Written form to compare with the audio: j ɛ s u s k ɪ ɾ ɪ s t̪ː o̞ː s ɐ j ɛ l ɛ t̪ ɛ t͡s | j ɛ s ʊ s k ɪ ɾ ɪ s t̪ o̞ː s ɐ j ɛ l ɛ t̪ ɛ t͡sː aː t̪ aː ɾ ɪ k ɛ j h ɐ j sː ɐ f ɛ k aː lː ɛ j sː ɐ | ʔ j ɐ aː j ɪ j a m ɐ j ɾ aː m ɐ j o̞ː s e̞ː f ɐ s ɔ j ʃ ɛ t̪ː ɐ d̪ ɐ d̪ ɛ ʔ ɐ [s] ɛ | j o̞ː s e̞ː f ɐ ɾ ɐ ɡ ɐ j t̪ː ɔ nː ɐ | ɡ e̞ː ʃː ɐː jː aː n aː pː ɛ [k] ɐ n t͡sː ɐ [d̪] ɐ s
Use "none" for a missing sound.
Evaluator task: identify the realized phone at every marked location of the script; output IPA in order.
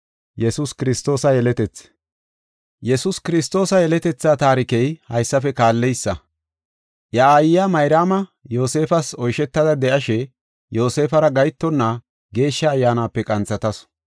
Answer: ʃ, kʼ, t̪

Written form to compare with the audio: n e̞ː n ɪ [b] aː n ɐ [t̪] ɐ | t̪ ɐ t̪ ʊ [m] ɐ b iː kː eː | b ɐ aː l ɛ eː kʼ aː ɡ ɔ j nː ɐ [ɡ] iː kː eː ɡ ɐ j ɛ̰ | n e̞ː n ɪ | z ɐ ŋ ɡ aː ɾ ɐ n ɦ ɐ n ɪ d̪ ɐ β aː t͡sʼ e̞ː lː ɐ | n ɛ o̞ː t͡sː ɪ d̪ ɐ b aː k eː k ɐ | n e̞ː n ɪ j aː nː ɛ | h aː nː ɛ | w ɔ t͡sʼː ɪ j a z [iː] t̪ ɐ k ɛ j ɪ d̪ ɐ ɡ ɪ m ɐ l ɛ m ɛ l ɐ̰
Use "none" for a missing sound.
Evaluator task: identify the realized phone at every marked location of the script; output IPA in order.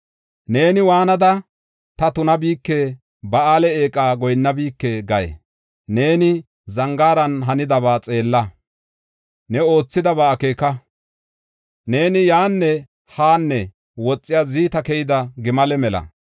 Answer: w, d̪, n, b, iː

